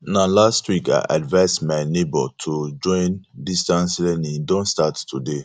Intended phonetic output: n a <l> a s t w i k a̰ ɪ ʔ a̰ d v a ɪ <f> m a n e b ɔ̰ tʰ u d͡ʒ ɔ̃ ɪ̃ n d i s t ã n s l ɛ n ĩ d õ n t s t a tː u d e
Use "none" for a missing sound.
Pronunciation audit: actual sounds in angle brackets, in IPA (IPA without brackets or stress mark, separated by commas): l, s